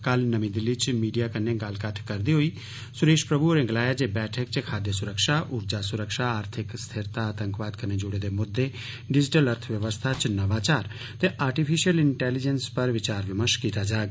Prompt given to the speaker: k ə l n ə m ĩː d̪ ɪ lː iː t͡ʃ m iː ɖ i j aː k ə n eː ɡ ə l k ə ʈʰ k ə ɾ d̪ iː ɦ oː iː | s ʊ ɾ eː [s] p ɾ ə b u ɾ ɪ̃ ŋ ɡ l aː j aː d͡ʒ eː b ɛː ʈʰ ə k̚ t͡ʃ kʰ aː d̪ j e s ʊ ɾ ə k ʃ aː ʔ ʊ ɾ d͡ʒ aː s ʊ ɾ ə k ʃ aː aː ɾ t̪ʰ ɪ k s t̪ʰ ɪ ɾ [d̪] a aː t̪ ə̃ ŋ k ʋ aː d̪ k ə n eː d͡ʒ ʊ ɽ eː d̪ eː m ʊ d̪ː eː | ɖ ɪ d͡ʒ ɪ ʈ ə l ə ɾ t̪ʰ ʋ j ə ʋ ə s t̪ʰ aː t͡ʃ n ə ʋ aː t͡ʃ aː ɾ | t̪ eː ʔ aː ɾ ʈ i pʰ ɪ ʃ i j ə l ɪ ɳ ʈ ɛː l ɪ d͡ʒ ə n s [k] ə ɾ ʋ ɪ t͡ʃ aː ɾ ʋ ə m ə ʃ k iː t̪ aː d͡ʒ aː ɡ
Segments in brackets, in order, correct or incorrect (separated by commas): incorrect, incorrect, incorrect